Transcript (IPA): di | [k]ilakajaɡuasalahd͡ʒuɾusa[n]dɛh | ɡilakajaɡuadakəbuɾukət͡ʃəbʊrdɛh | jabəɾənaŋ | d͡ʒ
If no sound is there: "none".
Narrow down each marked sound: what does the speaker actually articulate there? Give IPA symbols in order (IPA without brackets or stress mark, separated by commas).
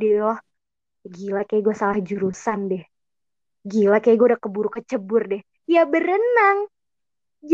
ɡ, n